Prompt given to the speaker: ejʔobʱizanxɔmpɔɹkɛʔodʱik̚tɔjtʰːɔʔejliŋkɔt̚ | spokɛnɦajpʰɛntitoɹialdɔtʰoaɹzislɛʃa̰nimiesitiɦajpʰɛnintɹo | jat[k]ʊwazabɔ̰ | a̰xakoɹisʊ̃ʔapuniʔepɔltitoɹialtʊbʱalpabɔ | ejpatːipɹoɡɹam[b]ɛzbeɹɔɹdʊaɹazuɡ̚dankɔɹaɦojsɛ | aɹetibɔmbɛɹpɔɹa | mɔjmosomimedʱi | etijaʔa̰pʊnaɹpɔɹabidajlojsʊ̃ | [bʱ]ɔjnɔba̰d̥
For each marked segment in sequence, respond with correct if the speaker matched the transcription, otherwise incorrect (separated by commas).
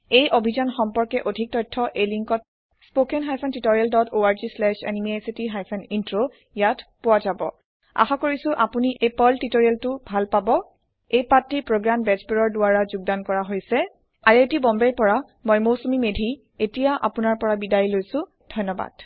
incorrect, correct, incorrect